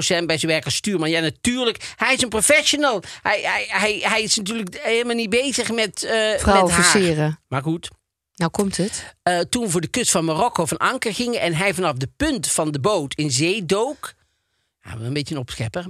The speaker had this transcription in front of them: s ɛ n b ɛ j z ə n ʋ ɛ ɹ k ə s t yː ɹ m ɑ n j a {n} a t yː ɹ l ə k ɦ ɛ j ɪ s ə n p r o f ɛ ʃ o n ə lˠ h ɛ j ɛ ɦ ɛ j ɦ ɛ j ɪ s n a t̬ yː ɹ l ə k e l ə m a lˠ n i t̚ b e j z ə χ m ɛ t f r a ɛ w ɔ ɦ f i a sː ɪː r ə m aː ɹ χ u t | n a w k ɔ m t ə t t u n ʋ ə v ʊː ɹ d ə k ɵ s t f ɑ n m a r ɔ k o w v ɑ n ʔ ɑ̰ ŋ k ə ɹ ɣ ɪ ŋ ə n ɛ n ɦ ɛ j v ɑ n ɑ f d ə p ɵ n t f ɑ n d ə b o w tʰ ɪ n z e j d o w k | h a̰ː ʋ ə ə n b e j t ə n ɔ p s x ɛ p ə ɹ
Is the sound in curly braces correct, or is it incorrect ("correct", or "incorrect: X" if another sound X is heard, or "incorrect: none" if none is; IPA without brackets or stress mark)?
correct